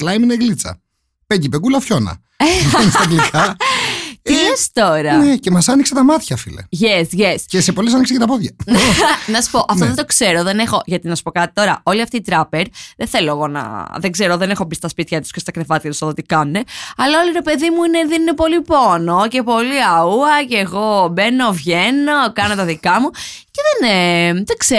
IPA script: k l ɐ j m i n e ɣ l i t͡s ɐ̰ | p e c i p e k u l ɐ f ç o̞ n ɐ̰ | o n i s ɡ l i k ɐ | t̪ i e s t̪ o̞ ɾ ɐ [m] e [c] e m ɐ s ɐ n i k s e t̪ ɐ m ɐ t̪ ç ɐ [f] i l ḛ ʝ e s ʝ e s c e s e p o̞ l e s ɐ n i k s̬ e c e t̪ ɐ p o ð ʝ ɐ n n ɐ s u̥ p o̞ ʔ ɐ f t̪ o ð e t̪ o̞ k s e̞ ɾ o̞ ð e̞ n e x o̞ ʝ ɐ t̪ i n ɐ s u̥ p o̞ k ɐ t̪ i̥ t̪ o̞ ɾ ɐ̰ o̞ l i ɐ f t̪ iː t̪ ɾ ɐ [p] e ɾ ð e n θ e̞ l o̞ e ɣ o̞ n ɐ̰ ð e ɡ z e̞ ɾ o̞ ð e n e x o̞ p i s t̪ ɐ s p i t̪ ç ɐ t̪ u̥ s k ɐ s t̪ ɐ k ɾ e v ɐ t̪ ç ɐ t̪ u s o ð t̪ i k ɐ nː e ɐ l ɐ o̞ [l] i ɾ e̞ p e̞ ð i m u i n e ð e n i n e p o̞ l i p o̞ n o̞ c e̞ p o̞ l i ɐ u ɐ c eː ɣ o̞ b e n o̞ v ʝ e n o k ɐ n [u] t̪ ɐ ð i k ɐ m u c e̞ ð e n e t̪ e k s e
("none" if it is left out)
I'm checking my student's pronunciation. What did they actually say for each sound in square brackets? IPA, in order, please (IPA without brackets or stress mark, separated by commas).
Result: n, c, f, p, l, o